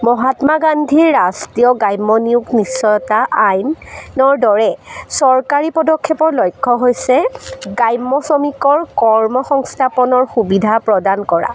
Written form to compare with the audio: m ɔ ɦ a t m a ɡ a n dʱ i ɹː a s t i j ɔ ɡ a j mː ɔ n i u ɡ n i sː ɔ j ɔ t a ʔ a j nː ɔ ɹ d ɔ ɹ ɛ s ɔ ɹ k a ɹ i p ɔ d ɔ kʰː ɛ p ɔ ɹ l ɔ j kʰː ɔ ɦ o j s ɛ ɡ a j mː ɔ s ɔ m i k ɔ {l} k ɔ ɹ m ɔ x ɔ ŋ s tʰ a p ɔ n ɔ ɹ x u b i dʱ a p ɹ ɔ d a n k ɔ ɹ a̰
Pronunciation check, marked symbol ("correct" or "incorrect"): incorrect